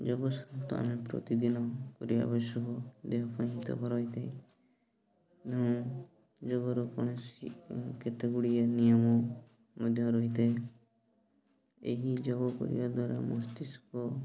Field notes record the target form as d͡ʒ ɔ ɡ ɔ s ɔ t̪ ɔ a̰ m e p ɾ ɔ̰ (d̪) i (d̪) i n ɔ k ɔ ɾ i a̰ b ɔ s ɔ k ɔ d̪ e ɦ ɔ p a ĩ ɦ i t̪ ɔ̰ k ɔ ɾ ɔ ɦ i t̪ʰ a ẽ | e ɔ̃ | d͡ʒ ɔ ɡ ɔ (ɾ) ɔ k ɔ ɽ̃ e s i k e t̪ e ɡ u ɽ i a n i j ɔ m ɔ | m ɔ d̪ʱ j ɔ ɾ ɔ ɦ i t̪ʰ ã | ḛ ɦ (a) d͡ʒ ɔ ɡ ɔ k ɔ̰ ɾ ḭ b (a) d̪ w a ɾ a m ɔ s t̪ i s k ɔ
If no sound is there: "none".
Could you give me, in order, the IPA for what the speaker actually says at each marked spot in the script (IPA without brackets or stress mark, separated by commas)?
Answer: t̪, d̪, ɾ, i, a